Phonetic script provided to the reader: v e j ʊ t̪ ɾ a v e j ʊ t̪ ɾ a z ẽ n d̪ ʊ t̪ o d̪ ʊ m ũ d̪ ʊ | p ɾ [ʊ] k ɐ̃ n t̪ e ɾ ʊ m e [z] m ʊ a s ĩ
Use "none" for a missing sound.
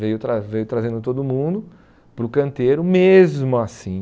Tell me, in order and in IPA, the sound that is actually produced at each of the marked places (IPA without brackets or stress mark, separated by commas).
ʊ, z